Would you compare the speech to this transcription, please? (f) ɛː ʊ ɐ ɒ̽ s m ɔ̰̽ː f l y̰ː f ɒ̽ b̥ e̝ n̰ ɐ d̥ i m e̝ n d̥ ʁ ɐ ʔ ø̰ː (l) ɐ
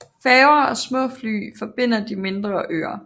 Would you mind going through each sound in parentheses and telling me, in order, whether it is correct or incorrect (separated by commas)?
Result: correct, incorrect